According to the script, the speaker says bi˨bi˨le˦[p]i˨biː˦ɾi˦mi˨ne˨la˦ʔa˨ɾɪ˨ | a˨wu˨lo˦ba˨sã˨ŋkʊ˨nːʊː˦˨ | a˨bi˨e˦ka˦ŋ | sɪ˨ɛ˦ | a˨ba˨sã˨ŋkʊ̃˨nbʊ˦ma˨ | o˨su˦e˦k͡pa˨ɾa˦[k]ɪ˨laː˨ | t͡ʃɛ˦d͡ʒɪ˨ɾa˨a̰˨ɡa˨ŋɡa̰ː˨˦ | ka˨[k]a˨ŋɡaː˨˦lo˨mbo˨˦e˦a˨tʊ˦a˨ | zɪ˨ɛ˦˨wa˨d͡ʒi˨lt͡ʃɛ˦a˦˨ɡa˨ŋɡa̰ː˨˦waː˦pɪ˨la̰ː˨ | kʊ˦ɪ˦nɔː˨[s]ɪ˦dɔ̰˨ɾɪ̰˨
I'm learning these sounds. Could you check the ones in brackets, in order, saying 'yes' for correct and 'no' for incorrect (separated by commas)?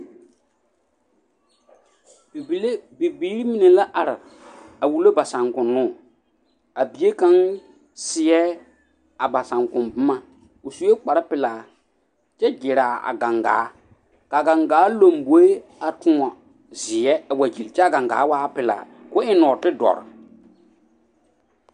no, no, no, no